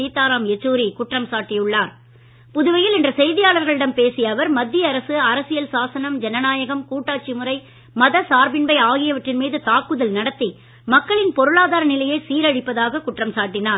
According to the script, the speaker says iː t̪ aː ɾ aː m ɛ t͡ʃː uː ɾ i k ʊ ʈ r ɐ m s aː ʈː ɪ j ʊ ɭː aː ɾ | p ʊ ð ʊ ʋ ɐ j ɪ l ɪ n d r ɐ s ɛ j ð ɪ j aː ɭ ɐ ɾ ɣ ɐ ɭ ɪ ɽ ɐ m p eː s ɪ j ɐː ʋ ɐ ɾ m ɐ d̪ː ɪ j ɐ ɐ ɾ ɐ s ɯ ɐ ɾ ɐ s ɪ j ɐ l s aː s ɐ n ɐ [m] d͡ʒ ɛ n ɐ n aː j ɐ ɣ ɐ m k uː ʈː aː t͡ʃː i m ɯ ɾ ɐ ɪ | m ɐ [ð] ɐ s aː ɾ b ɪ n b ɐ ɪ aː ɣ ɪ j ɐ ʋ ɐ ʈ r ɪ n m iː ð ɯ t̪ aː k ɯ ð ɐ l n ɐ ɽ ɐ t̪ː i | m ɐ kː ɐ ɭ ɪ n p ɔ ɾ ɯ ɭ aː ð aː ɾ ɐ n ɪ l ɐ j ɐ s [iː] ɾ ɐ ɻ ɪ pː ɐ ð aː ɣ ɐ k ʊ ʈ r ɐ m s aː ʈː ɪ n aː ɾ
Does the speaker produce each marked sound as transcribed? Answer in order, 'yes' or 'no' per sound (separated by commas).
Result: yes, yes, yes